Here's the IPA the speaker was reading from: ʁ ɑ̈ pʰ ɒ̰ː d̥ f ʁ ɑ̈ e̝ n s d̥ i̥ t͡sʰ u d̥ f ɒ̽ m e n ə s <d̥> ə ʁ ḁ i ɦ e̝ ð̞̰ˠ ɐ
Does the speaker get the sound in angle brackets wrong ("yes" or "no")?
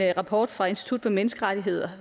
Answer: yes